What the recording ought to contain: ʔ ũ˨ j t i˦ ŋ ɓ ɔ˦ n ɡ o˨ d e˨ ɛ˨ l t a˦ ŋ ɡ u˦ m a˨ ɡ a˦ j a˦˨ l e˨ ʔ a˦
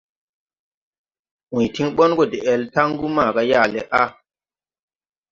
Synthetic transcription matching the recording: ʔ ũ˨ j t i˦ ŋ ɓ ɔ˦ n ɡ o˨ d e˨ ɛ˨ l t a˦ ŋ ɡ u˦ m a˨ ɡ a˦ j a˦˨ l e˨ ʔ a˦

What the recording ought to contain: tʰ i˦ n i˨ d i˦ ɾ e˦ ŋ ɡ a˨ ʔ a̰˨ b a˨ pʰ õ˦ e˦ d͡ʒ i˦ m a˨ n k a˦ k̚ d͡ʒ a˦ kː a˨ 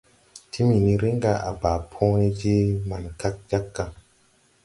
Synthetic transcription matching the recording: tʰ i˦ m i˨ n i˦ ɾ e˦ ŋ ɡ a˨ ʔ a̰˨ b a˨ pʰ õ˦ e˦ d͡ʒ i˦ m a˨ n k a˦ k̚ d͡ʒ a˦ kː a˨

